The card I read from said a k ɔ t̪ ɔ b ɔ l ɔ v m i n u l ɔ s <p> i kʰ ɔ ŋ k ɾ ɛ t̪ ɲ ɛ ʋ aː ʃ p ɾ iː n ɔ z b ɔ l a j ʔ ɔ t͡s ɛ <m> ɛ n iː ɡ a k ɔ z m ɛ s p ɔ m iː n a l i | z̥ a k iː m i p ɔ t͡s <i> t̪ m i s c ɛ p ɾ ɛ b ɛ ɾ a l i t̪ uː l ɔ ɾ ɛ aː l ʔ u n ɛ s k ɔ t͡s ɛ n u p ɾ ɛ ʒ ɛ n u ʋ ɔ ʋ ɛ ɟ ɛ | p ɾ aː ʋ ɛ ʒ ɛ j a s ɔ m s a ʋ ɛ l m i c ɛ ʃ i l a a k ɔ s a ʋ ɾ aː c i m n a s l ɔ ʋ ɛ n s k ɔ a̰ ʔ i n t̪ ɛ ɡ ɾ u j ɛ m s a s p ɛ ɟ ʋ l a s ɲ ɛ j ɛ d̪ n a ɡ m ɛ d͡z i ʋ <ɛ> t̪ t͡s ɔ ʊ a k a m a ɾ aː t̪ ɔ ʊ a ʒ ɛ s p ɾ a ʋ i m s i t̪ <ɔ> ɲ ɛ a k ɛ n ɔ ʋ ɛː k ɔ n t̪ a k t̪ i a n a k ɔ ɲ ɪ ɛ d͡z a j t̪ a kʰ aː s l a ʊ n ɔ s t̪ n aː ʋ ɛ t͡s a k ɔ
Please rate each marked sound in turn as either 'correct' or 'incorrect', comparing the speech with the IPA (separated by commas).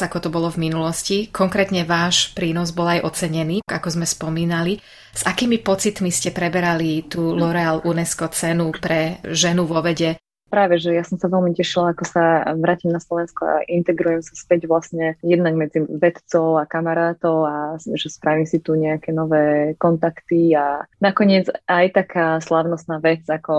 incorrect, incorrect, correct, correct, incorrect